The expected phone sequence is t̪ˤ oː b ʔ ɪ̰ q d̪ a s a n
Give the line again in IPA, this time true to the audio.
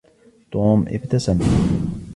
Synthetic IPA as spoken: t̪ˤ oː m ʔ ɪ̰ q t̪ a s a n